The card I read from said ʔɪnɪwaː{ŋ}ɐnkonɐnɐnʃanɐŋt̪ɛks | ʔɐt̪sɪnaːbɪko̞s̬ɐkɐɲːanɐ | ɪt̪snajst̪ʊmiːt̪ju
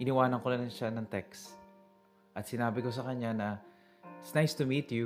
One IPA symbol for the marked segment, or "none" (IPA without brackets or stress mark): n